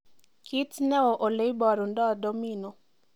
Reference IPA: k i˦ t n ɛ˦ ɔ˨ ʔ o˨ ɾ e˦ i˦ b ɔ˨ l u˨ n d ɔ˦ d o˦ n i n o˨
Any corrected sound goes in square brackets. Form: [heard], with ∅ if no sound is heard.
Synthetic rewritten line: k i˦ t n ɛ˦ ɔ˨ ʔ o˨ [l] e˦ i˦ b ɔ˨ [ɾ] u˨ n d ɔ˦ d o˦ [m] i n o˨